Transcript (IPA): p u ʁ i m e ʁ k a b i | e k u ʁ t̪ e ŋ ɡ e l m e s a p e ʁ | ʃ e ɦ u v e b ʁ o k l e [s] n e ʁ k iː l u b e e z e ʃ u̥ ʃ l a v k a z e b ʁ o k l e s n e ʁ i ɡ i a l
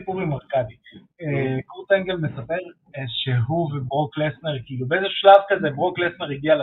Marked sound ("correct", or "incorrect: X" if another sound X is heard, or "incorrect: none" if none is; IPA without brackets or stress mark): correct